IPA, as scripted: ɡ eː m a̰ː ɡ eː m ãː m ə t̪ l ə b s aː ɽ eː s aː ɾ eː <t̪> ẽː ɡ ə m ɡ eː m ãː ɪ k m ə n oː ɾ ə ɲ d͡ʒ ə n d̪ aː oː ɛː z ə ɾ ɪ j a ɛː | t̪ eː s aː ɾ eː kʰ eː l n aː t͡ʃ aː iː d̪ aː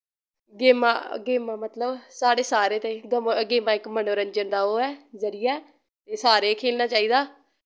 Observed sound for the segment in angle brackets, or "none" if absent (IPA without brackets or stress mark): t̪